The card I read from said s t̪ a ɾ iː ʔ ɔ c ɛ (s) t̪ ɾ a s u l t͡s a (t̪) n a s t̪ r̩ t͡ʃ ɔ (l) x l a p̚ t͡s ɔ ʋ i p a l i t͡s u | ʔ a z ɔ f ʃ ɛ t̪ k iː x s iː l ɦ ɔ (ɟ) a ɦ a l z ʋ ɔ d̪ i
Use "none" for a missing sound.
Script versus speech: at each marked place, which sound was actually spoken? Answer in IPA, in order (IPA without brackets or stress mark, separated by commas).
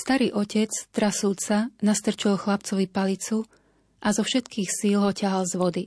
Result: t͡s, none, l, c